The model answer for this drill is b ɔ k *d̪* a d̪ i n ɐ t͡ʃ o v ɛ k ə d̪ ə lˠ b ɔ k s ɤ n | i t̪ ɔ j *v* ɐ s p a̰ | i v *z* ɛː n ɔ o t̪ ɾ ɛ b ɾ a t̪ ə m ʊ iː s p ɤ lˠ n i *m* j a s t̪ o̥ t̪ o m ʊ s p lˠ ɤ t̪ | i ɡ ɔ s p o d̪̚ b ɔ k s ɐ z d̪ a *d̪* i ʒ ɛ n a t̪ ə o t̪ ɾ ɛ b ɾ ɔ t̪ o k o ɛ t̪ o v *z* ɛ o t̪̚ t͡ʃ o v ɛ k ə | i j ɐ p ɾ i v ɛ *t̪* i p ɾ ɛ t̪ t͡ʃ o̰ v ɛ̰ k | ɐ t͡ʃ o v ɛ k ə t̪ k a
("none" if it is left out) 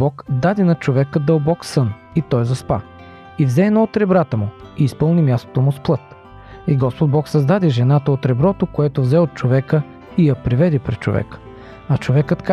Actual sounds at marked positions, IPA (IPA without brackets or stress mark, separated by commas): d̪, z, z, m, d̪, z, d̪